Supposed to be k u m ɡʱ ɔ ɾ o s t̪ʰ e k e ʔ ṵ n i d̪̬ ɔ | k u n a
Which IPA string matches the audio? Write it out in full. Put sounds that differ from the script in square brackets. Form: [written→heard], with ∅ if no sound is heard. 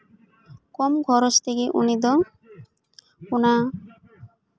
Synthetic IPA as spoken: k [u→ɔ] m ɡʱ ɔ ɾ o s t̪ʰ e k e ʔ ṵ n i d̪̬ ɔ | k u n a